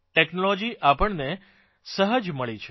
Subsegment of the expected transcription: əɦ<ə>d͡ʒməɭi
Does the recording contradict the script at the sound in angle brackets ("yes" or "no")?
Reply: no